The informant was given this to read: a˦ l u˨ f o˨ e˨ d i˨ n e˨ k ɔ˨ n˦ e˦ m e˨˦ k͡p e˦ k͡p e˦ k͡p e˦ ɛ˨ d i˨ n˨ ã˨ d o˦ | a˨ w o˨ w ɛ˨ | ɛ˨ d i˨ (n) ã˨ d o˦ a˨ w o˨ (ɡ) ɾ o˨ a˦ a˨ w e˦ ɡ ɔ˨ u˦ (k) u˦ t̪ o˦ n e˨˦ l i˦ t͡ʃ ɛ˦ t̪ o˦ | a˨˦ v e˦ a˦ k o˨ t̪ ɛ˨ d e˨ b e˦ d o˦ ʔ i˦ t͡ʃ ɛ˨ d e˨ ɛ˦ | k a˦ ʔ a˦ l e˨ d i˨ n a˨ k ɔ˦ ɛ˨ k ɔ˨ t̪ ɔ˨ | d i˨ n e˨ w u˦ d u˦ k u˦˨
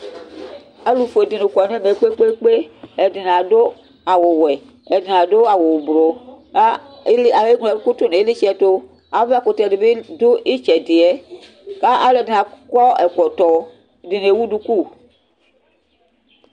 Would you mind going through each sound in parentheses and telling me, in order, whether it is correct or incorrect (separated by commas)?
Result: correct, incorrect, correct